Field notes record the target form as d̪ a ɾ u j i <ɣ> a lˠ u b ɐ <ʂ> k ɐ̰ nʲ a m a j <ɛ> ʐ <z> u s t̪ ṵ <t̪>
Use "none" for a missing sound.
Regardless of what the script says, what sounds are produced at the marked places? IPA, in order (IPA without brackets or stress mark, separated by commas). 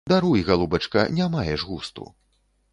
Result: ɣ, t͡ʂ, ɛ, ɣ, none